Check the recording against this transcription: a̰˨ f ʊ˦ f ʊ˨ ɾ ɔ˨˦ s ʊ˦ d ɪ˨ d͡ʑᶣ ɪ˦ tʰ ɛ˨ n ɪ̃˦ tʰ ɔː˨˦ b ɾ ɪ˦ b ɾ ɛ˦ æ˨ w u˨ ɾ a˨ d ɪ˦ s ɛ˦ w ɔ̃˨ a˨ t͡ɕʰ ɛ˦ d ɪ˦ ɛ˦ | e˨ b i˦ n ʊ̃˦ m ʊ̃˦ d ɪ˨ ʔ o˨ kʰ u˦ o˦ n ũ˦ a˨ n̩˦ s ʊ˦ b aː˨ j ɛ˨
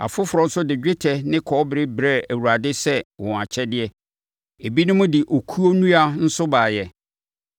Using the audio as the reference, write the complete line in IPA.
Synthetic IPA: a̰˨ f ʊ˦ f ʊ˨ ɾ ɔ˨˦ s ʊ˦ d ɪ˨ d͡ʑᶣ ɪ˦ tʰ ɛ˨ n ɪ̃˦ kʰ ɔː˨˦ b ɾ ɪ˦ b ɾ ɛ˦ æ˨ w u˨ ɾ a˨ d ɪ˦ s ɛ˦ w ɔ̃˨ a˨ t͡ɕʰ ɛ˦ d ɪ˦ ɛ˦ | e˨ b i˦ n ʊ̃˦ m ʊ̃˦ d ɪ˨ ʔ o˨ kʰ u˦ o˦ n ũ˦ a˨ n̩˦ s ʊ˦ b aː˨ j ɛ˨